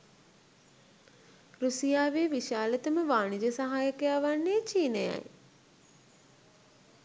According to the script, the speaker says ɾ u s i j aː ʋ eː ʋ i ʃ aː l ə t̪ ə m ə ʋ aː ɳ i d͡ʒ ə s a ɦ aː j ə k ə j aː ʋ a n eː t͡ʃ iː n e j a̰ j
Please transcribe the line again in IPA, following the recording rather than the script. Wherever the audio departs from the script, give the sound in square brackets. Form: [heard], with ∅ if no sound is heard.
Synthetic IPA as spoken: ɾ u s i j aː ʋ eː ʋ i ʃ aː l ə t̪ ə m ə ʋ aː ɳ i d͡ʒ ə s a ɦ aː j ə k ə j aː ʋ a [nː] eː t͡ʃ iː n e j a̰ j